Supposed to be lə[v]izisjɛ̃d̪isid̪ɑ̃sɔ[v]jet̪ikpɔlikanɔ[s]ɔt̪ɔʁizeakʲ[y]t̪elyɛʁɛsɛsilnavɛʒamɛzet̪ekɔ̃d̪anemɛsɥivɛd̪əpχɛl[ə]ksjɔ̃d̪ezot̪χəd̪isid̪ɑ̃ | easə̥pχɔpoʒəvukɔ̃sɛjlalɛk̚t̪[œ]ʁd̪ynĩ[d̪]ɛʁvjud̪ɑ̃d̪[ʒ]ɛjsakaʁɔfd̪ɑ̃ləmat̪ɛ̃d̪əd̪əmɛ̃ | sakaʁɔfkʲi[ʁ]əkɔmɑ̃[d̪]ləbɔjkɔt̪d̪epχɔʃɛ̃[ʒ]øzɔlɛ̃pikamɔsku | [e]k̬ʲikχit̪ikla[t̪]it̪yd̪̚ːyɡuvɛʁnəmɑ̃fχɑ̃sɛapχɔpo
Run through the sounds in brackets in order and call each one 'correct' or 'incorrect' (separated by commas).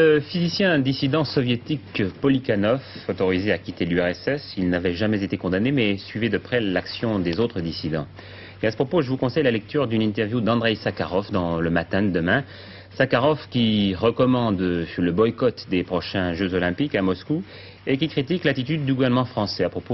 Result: incorrect, correct, incorrect, incorrect, incorrect, incorrect, incorrect, incorrect, correct, correct, correct, correct, correct